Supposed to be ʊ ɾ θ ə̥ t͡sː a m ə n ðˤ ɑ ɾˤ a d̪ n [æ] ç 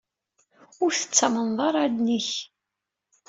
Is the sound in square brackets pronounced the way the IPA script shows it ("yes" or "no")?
no